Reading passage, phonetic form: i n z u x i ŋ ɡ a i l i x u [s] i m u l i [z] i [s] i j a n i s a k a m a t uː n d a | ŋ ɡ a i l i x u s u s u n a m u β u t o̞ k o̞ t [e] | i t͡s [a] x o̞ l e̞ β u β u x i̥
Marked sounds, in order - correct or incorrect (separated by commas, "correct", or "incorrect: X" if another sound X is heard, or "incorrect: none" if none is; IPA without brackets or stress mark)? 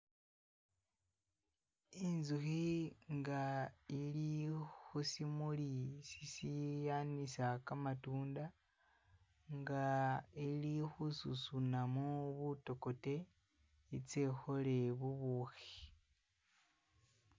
correct, incorrect: s, correct, correct, incorrect: e